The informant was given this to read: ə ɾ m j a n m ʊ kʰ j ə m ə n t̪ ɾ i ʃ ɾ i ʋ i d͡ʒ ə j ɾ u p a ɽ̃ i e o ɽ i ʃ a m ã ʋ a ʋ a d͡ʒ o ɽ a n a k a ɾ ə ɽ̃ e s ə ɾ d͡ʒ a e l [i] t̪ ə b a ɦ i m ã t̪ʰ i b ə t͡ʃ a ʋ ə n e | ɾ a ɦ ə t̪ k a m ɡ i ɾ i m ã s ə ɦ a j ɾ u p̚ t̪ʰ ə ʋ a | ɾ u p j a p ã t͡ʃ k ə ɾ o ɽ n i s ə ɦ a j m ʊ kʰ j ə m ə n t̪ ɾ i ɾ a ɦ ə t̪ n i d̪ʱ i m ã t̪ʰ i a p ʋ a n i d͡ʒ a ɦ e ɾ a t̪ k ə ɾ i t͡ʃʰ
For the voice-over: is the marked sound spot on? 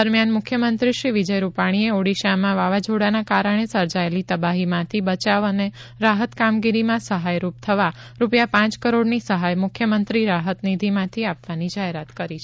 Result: yes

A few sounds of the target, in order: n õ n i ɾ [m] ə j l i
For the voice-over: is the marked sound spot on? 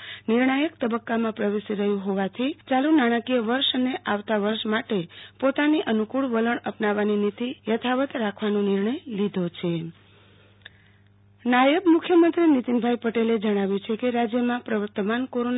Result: no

